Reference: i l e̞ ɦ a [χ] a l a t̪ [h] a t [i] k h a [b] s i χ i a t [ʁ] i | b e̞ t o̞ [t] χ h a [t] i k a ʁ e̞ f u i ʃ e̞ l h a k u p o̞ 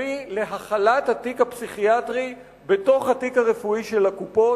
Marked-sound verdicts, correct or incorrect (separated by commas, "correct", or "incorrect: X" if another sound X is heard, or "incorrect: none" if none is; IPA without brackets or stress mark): correct, correct, correct, incorrect: p, correct, incorrect: none, correct